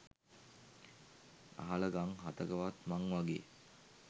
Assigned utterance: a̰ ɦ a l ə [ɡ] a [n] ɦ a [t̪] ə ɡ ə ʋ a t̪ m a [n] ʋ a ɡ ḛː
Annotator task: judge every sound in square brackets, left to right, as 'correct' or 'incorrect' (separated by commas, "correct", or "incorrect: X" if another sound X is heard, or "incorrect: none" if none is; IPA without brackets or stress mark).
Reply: correct, incorrect: ŋ, correct, incorrect: ŋ